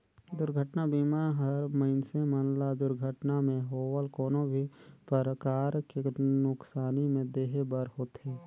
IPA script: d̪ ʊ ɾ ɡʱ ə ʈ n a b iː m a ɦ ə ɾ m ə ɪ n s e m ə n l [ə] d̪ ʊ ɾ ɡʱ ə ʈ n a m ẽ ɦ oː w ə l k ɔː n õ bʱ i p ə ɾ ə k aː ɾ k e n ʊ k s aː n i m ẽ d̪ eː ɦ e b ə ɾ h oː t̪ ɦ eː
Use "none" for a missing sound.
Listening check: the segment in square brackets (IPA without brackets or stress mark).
a